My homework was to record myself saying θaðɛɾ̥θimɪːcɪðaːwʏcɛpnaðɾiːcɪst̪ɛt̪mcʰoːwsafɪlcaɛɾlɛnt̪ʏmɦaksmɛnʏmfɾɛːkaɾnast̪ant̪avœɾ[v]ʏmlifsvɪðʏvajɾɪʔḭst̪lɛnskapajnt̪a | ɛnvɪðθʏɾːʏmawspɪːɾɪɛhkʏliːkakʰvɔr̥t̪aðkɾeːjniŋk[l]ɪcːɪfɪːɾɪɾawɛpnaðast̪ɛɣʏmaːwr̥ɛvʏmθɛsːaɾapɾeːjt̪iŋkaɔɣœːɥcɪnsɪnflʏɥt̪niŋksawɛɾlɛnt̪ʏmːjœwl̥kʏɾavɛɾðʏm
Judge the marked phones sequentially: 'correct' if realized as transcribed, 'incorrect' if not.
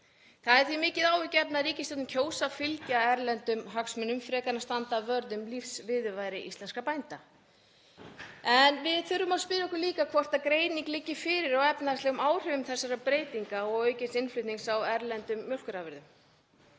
incorrect: ð, correct

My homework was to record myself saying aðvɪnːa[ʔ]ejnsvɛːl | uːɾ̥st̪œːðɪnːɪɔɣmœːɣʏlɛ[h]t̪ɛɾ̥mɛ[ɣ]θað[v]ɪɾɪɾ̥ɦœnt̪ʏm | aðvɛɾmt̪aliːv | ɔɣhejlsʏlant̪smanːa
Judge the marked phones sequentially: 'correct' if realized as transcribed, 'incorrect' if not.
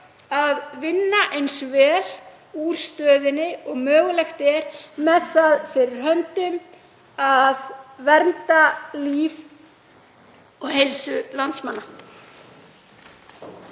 correct, incorrect: x, incorrect: ð, incorrect: f

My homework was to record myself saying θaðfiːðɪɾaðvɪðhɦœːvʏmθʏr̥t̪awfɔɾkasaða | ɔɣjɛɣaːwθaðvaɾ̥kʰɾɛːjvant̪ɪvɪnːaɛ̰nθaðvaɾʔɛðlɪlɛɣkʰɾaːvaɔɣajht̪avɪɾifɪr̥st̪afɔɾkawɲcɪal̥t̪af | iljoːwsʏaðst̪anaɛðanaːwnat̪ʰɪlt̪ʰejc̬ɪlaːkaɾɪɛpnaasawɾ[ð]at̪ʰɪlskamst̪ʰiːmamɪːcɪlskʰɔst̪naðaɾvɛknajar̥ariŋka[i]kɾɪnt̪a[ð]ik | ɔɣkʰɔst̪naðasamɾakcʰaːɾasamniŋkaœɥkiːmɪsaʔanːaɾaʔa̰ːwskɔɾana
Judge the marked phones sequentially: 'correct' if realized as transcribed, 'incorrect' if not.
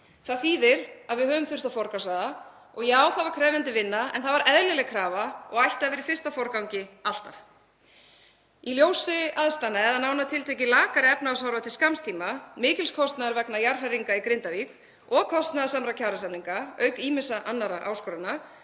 incorrect: v, correct, incorrect: v

